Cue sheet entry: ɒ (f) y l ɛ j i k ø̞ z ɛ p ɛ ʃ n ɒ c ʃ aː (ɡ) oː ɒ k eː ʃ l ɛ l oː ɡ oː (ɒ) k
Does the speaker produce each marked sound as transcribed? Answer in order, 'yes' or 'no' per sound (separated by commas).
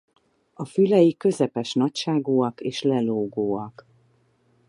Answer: yes, yes, yes